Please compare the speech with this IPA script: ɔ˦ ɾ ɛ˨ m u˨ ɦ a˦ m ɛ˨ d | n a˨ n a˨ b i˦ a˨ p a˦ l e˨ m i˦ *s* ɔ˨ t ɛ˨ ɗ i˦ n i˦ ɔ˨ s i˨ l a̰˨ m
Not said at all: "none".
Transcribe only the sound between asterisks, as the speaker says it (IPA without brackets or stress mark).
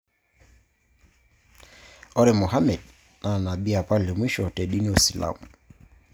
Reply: ʃ